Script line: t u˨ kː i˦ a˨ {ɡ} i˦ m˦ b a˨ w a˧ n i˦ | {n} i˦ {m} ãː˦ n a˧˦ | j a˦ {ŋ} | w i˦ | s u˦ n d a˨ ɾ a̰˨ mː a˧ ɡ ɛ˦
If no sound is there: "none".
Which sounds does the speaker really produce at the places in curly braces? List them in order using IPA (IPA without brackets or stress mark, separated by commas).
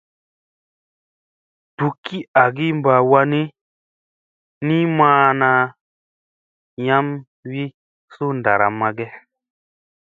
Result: ɡ, n, m, m